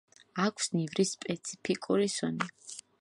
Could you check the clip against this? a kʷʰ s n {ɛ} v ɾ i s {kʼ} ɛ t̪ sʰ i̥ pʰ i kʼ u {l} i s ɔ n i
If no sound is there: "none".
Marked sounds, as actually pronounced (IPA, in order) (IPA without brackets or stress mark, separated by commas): i, pʼ, ɾ